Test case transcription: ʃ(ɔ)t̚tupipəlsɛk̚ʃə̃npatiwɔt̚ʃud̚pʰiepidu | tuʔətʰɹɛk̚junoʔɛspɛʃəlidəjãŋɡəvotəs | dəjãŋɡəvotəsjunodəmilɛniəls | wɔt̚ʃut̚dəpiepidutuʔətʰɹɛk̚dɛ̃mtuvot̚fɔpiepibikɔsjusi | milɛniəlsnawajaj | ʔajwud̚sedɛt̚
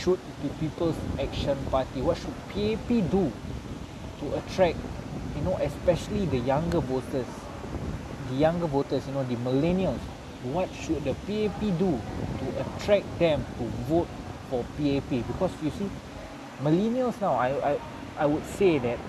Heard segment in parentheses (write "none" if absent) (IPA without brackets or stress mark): u